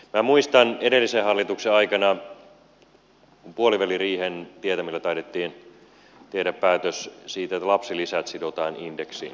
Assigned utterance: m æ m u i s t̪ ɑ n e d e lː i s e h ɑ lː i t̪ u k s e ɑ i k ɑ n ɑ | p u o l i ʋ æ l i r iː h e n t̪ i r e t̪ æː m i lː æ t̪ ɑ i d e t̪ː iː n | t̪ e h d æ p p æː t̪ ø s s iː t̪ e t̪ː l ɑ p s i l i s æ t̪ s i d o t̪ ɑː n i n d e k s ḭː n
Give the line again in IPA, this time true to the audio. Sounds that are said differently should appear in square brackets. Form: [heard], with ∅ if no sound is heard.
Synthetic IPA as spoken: m æ m u i s t̪ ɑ n e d e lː i s e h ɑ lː i t̪ u k s e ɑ i k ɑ n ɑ | p u o l i ʋ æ l i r iː h e n t̪ i [∅] e t̪ [æ] m i lː æ t̪ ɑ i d e t̪ː iː n | t̪ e h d æ p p æː t̪ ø s s iː t̪ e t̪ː l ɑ p s i l i s æ t̪ s i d o t̪ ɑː n i n d e k s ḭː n